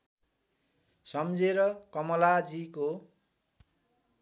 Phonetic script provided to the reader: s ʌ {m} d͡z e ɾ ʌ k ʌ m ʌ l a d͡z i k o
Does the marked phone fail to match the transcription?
no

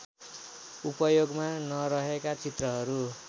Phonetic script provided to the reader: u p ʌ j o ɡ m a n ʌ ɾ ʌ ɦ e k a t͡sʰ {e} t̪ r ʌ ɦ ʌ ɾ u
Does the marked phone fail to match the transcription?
yes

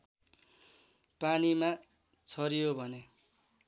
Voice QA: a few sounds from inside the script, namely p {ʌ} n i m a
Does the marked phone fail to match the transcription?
yes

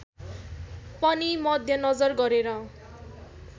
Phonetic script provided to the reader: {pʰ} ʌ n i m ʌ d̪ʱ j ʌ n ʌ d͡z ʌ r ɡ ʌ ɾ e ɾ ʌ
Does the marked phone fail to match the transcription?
yes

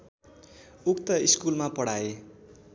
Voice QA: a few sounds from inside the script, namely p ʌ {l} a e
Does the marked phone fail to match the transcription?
yes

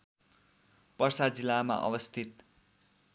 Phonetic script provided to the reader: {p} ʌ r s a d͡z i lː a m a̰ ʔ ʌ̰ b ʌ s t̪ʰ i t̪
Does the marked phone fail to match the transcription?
no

